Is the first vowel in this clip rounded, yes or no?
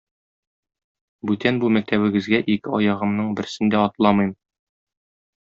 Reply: yes